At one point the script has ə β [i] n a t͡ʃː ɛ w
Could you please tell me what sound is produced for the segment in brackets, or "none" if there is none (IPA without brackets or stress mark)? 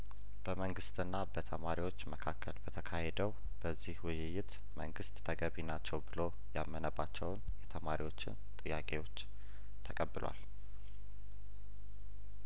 i